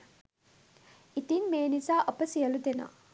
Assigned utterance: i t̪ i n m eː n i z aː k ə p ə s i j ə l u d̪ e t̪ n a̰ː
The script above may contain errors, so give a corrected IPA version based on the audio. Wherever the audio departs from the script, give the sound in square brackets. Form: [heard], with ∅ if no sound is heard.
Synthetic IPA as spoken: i t̪ i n m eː n i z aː [ʔ] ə p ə s i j ə l u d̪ e [∅] n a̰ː